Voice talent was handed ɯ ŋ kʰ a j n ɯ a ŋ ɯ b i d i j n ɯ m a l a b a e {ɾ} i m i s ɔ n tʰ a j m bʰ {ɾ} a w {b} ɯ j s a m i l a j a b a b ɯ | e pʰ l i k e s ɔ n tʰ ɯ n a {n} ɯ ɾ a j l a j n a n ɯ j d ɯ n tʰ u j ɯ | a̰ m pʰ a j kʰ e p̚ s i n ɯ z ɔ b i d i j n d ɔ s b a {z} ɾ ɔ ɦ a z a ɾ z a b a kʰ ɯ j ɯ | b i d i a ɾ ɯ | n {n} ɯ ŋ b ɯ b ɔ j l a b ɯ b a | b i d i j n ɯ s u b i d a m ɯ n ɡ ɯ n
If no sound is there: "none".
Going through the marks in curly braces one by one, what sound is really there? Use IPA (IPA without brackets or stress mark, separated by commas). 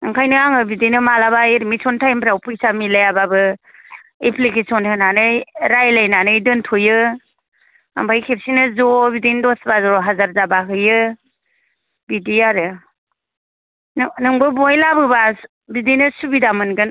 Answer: ɾ, ɾ, p, n, z, n